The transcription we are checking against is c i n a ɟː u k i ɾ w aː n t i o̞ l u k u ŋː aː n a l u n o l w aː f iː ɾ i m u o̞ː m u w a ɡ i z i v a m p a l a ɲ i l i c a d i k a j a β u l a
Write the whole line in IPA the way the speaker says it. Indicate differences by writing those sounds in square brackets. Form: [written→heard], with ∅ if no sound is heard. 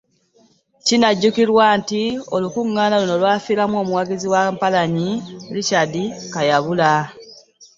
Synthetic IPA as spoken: c i n a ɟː u k i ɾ w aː n t i o̞ l u k u ŋː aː n a l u n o l w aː f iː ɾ [i→a] m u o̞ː m u w a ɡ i z i [v→w] a m p a l a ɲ i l i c a d i k a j a β u l a